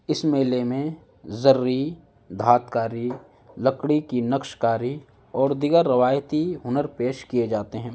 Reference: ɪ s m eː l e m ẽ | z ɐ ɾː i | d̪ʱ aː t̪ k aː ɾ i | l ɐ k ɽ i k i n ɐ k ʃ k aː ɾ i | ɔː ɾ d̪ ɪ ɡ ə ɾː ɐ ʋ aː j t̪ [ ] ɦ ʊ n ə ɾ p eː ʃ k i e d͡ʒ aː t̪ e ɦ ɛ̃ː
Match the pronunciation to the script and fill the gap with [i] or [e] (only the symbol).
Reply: i